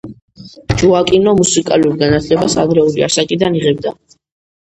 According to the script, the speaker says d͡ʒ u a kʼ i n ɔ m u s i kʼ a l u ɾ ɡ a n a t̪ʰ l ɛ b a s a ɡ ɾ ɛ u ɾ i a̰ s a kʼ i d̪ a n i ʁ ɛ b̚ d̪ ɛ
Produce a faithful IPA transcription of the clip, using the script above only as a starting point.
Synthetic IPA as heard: d͡ʒ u a kʼ i n ɔ m u s i kʼ a l u ɾ ɡ a n a t̪ʰ l ɛ b a s a ɡ ɾ ɛ u l i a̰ s a kʼ i d̪ a n i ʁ ɛ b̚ d̪ a